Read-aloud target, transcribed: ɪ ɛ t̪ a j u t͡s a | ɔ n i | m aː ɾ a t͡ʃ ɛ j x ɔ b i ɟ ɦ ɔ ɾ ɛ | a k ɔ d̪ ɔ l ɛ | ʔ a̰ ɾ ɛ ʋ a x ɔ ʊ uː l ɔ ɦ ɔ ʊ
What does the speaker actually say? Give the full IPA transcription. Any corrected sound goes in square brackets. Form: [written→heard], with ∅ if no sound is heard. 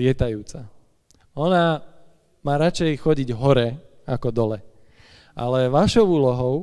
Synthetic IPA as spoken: ɪ ɛ t̪ a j [u→uː] t͡s a | ɔ n [i→a] | m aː ɾ a t͡ʃ ɛ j x ɔ [b→ɟ] i ɟ ɦ ɔ ɾ ɛ | a k ɔ d̪ ɔ l ɛ | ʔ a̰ [ɾ→l] ɛ ʋ a [x→ʃ] ɔ ʊ uː l ɔ ɦ ɔ ʊ